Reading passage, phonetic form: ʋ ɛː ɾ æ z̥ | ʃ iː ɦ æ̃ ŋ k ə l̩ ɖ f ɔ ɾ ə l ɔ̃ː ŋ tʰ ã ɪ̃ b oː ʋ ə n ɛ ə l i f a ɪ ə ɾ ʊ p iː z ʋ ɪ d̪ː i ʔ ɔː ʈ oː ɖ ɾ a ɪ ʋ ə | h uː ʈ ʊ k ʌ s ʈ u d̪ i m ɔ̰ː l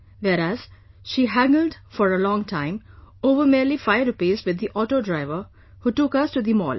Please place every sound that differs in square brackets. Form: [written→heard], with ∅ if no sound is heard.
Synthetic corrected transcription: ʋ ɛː ɾ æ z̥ | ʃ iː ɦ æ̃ ŋ [k→ɡ] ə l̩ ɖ f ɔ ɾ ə l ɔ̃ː ŋ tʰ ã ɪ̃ [b→m] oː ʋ ə [n→m] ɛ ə l i f a ɪ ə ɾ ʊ p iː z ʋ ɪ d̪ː i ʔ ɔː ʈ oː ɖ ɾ a ɪ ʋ ə | h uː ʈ ʊ k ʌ s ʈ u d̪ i m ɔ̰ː l

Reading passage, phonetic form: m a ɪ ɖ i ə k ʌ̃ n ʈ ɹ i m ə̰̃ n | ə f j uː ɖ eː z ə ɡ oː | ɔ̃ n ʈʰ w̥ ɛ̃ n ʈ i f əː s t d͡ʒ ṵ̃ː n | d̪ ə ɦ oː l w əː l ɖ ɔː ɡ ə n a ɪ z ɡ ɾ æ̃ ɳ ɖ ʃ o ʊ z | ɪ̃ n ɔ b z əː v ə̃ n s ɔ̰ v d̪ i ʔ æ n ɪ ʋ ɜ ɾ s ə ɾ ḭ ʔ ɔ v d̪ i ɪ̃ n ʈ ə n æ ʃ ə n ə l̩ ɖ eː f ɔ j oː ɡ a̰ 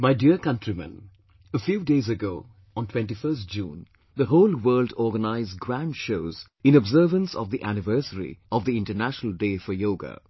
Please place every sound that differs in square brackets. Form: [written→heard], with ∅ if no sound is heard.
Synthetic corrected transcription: m a ɪ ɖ i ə k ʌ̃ n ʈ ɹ i m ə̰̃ n | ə f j uː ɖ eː z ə ɡ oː | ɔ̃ n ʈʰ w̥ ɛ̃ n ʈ i f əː s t d͡ʒ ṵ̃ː n | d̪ ə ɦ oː l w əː l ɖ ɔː ɡ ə n a ɪ z ɡ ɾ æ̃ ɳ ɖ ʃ o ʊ z | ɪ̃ n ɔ b z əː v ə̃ n s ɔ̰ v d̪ i ʔ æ n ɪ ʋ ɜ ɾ s ə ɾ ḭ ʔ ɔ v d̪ i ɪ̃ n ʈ ə n æ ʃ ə n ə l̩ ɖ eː f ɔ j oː ɡ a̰

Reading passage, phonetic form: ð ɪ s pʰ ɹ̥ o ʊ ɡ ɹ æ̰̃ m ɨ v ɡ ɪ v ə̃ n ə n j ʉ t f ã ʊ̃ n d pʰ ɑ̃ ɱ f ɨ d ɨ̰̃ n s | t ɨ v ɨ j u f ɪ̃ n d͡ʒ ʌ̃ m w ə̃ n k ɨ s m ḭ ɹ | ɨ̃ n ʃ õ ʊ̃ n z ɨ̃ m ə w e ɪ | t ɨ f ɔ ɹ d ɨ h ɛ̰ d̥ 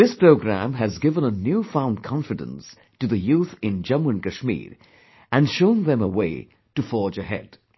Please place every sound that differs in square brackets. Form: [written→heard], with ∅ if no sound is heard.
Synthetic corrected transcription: ð ɪ s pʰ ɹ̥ o ʊ ɡ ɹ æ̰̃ m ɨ [v→z] ɡ ɪ v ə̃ n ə n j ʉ [t→∅] f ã ʊ̃ n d [pʰ→kʰ] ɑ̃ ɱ f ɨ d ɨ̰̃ n s | t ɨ [v→ð] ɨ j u [f→θ] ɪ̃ n d͡ʒ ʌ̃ m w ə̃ n k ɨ [s→ʃ] m ḭ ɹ | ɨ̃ n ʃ õ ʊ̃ n [z→ð] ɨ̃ m ə w e ɪ | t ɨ f ɔ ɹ [d→d͡ʒ] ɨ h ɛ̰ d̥

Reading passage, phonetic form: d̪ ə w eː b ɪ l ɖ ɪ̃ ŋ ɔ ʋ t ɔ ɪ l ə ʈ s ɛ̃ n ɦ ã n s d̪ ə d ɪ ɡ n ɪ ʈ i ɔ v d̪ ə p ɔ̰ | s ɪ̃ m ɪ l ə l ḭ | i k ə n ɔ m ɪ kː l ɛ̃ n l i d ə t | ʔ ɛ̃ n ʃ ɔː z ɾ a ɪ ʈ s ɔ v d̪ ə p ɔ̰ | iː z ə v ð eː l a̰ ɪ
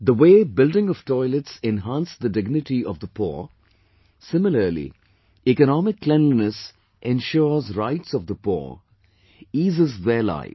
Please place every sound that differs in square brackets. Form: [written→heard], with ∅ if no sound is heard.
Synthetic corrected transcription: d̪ ə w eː b ɪ l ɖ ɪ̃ ŋ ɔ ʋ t ɔ ɪ l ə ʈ s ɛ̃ n ɦ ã n s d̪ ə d ɪ ɡ n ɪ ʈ i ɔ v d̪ ə p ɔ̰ | s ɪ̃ m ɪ l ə l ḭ | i k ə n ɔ m ɪ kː l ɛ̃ n l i [d→n] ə [t→s] | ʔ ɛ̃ n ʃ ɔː z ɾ a ɪ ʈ s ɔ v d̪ ə p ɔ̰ | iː z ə [v→z] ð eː l a̰ ɪ

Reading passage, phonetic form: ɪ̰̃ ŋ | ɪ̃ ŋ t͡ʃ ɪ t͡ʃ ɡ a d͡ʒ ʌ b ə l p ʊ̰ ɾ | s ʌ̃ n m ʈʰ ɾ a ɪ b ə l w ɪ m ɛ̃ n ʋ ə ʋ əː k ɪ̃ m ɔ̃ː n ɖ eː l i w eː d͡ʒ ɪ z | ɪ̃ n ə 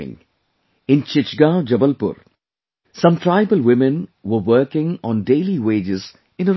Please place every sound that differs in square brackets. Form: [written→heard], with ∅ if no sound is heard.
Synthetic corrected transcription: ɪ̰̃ ŋ | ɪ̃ [ŋ→n] t͡ʃ ɪ t͡ʃ ɡ a d͡ʒ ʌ b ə l p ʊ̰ ɾ | s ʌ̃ [n→∅] m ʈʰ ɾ a ɪ b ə l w ɪ m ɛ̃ n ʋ ə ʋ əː k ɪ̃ [m→ŋ] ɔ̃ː n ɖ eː l i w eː d͡ʒ ɪ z | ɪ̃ n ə

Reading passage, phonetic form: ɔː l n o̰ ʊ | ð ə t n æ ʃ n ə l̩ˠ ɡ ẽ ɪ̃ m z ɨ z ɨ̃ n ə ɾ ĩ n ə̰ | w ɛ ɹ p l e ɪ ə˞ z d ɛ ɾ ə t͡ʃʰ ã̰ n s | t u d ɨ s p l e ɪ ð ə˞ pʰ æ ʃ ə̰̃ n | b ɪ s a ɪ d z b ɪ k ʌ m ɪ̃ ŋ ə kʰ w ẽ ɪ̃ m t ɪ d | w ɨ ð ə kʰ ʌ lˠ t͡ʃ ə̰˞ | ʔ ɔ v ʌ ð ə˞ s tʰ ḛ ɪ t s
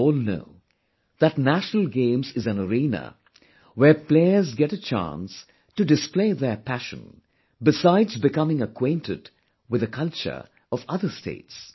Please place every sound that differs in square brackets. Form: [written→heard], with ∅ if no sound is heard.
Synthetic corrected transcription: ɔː l n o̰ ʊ | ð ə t n æ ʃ n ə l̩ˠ ɡ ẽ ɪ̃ m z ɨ z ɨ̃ n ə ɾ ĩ n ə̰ | w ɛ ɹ p l e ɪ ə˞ z [d→ɡ] ɛ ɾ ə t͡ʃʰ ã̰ n s | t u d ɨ s p l e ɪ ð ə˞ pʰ æ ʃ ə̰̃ n | b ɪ s a ɪ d z b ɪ k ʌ m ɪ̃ ŋ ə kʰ w ẽ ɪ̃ [m→n] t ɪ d | w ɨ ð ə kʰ ʌ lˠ t͡ʃ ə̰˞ | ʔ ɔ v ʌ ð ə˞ s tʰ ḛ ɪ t s

